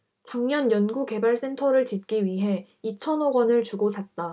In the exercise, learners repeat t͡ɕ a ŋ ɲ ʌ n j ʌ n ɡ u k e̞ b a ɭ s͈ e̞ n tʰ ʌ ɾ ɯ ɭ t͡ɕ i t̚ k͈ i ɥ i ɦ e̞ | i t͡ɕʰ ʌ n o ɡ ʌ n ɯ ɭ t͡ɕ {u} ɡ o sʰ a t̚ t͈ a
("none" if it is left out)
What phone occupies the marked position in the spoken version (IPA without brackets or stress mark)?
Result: u